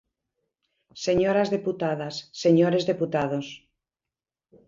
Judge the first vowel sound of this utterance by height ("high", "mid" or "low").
mid